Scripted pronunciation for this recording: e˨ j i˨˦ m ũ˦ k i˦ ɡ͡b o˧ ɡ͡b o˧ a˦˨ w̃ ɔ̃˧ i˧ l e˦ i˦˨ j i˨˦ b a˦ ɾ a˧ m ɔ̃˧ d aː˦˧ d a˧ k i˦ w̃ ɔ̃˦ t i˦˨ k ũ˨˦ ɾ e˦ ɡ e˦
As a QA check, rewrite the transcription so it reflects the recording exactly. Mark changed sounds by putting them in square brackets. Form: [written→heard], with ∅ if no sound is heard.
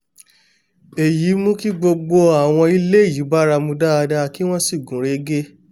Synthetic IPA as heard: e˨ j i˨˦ m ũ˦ k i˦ ɡ͡b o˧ ɡ͡b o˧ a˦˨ w̃ ɔ̃˧ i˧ l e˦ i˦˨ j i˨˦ b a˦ ɾ a˧ m [ɔ̃˧→ũ˧] d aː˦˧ d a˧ k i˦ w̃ ɔ̃˦ [t→s] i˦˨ [k→ɡ] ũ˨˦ ɾ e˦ ɡ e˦